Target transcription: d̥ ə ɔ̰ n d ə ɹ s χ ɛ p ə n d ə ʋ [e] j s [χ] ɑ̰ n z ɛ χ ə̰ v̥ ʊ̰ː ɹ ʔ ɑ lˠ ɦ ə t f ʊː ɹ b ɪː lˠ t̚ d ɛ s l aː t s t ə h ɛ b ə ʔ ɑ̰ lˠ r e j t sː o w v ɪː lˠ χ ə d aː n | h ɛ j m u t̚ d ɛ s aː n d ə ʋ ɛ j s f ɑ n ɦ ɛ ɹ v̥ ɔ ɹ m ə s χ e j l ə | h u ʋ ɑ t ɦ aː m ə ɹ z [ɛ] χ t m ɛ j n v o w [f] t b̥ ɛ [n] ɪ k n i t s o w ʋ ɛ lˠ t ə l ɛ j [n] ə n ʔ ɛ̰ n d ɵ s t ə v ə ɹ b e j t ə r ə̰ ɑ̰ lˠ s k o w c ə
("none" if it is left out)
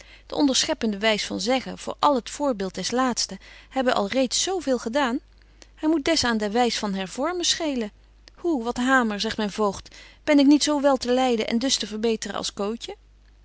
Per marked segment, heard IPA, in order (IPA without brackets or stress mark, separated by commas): ɛ, f, ɛ, χ, n, d